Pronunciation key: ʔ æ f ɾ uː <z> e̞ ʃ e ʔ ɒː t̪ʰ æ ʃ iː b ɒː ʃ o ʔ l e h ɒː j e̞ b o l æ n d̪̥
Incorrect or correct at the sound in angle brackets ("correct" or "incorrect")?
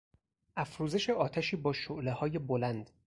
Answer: correct